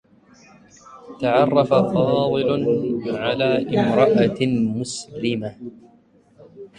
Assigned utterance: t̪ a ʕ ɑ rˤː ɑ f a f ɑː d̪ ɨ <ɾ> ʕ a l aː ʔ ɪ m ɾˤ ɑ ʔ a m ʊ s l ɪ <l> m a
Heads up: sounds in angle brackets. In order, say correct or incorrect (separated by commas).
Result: incorrect, incorrect